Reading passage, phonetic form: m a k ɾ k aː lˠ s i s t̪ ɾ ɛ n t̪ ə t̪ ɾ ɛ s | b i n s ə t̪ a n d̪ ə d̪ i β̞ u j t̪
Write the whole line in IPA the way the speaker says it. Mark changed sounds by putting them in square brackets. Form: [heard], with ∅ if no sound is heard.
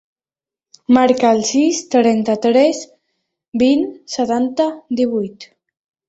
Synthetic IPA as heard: m a [∅] ɾ k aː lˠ s i s t̪ ɾ ɛ n t̪ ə t̪ ɾ ɛ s | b i n s ə t̪ a n [t̪] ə d̪ i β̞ u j t̪